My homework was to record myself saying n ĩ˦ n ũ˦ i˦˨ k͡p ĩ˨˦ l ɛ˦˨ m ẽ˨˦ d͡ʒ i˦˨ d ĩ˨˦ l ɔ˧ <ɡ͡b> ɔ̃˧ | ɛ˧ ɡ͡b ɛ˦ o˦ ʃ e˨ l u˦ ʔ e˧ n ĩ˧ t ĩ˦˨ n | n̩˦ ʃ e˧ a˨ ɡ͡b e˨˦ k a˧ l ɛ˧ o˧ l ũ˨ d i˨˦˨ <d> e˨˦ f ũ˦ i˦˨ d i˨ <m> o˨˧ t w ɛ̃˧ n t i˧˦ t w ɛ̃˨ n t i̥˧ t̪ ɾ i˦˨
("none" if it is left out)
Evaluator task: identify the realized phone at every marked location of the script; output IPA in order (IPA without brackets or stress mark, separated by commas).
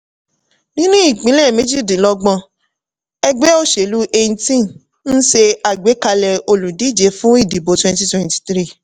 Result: ɡ͡b, d͡ʒ, b